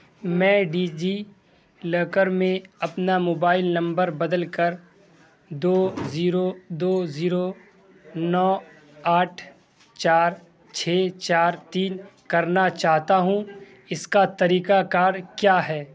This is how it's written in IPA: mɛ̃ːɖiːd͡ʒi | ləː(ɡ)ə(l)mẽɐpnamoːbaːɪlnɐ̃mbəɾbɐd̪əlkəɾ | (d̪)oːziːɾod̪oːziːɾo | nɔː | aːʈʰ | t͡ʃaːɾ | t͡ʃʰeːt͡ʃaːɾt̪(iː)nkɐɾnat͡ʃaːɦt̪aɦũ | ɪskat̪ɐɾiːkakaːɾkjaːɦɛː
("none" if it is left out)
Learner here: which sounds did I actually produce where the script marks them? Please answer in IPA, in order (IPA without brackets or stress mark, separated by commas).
k, ɾ, d̪, iː